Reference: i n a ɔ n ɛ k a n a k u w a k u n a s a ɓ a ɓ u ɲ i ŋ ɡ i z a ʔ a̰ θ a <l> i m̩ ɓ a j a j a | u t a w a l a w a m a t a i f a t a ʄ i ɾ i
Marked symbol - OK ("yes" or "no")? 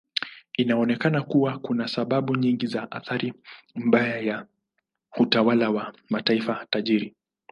no